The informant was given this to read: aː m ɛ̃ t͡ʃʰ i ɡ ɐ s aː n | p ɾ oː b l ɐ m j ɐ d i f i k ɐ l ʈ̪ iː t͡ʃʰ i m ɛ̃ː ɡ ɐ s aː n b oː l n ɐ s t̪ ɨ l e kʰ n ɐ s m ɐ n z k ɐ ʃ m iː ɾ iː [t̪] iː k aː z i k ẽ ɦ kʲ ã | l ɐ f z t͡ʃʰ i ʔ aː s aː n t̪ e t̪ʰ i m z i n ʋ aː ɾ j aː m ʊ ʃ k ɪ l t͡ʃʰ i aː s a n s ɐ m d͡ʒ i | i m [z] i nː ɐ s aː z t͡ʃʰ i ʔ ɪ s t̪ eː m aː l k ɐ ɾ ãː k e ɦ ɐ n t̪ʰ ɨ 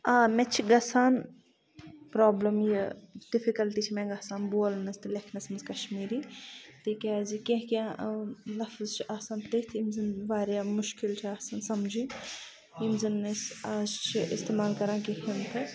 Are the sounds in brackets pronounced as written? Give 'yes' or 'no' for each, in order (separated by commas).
yes, yes